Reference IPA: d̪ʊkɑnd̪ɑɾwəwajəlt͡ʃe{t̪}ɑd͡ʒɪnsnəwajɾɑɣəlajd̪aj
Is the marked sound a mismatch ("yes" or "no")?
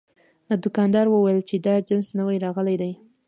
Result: yes